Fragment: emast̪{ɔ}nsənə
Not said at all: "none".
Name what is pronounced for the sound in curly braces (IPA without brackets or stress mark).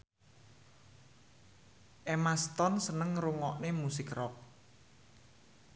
ɔ